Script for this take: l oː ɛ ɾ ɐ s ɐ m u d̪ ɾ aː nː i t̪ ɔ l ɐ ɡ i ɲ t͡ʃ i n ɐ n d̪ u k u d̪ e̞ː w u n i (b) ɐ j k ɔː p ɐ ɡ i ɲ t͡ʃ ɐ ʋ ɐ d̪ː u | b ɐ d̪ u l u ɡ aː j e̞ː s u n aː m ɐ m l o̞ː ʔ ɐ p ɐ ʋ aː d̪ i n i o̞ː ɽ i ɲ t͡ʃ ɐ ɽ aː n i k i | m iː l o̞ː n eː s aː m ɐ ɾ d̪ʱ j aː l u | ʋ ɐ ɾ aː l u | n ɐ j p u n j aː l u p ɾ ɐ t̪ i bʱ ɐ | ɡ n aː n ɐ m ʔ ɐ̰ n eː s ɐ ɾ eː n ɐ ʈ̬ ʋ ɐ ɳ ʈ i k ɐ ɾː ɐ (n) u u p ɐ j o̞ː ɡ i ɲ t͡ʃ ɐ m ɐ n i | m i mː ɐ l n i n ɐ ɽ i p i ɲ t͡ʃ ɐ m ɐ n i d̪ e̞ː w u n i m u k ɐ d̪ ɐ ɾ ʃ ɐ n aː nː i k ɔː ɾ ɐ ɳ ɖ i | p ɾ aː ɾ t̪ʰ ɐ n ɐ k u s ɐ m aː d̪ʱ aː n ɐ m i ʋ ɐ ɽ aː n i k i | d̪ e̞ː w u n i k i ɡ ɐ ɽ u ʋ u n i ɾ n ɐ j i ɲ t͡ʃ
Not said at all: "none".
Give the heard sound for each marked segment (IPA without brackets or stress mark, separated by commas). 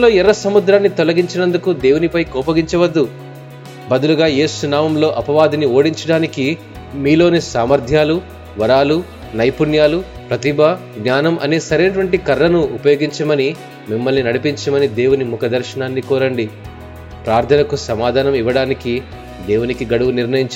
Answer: p, n